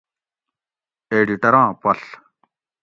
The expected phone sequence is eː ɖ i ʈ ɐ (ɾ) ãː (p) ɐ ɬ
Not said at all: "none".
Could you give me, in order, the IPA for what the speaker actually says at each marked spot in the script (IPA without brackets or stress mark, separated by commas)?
ɾ, p